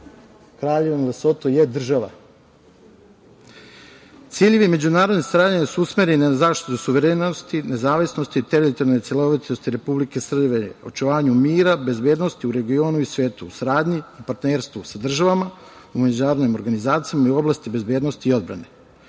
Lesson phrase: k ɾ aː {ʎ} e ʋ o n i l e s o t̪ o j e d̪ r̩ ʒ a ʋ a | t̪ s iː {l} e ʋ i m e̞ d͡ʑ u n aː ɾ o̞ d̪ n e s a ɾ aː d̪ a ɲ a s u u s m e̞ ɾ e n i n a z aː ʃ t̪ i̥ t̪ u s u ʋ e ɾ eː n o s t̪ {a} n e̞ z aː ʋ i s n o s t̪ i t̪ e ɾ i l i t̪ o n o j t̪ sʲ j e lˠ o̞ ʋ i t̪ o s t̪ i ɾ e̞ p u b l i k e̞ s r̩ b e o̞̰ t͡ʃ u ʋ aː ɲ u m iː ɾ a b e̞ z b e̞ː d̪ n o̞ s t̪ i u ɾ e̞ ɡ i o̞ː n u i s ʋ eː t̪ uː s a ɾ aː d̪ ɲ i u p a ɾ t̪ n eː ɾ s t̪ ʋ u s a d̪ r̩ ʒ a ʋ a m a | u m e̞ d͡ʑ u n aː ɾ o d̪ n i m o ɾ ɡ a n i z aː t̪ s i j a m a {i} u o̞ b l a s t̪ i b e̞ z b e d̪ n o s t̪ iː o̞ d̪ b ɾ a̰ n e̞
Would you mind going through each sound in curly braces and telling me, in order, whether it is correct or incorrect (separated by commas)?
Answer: correct, incorrect, incorrect, correct